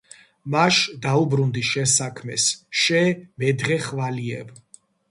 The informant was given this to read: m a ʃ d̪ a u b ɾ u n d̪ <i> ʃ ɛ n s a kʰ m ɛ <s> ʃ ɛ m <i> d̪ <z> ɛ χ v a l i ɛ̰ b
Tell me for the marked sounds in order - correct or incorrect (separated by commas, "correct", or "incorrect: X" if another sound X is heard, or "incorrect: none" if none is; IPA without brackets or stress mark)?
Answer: correct, correct, incorrect: ɛ, incorrect: ʁ